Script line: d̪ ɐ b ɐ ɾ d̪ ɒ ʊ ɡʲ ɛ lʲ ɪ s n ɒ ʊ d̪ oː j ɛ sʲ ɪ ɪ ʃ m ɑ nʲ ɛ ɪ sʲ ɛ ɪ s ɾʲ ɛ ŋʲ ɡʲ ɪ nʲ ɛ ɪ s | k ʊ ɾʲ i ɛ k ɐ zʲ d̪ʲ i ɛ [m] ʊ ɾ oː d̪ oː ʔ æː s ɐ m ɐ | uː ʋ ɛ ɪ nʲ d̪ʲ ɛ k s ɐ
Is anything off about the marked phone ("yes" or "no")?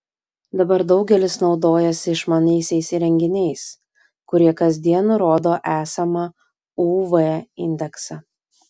yes